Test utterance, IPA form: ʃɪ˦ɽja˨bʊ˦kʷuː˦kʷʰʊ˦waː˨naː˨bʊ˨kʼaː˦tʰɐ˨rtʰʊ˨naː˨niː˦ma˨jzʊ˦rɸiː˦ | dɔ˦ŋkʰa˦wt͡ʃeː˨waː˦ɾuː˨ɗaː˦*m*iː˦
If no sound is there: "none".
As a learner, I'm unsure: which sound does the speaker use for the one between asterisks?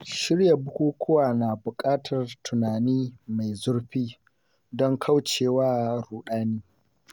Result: n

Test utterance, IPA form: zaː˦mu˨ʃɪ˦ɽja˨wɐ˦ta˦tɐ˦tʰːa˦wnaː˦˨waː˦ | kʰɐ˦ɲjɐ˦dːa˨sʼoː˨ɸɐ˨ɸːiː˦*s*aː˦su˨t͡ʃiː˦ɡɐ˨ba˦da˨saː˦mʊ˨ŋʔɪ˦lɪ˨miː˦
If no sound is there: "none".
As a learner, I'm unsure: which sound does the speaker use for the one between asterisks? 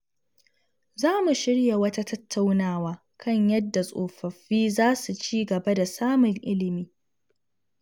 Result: z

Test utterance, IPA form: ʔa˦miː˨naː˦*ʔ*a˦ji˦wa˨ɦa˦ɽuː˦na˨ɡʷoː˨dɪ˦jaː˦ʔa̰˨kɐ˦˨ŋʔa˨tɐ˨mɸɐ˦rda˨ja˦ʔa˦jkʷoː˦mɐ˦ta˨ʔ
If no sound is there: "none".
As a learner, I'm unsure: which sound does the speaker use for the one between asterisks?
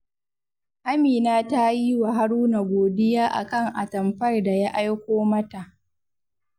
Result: t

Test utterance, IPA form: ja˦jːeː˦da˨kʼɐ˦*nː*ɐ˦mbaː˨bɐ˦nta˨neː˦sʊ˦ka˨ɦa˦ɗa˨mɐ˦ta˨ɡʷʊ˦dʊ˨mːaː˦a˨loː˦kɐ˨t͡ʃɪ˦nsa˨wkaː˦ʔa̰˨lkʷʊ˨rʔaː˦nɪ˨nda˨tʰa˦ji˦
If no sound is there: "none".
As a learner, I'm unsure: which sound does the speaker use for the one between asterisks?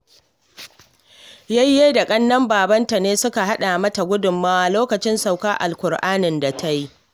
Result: nː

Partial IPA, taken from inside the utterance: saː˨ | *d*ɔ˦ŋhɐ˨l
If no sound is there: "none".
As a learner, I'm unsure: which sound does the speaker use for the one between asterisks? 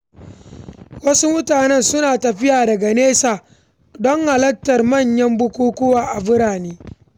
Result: d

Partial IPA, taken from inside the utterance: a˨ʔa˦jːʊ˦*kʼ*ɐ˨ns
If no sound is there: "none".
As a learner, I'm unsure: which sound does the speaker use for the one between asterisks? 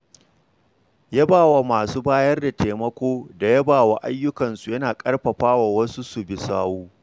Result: k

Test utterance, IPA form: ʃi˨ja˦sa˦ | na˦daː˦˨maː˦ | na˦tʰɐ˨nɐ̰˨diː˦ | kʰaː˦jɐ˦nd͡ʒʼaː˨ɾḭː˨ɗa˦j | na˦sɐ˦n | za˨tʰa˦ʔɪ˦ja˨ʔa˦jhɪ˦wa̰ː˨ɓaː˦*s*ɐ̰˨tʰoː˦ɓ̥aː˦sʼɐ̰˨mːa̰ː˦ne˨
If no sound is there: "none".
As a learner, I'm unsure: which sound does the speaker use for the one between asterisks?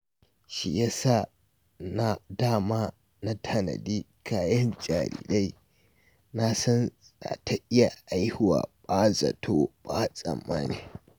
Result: z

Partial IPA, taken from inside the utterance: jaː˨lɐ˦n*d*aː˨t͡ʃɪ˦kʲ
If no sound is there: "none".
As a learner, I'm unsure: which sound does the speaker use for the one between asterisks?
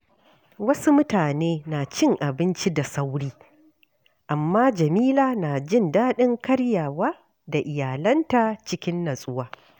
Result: t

